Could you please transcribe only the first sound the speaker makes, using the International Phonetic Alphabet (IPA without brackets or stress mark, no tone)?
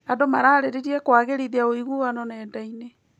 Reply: a